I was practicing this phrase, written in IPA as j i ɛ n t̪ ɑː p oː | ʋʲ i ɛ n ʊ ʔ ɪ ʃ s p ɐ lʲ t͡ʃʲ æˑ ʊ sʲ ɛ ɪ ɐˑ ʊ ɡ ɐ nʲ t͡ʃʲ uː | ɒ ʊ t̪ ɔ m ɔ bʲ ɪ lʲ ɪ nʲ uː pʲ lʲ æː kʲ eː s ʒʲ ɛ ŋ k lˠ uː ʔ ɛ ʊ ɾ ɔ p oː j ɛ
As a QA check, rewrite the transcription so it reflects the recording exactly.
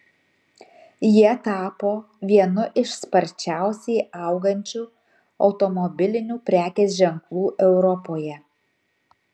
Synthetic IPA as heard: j i ɛ t̪ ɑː p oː | ʋʲ i ɛ n ʊ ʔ ɪ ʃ s p ɐ ɾʲ t͡ʃʲ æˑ ʊ sʲ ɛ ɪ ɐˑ ʊ ɡ ɐ nʲ t͡ʃʲ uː | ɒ ʊ t̪ ɔ m ɔ bʲ ɪ lʲ ɪ nʲ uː pʲ ɾʲ æː kʲ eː s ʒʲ ɛ ŋ k lˠ uː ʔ ɛ ʊ ɾ ɔ p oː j ɛ